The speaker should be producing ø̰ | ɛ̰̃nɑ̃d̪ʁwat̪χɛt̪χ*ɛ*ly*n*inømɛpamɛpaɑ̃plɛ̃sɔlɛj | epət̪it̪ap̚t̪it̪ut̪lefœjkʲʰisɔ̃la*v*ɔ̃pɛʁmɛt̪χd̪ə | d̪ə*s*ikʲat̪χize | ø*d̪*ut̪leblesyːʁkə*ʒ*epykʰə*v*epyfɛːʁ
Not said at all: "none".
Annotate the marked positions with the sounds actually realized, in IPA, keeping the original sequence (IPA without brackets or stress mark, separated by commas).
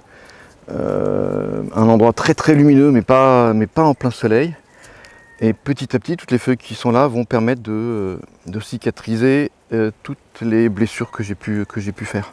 ɛ, m, v, s, t̪, ʒ, ʒ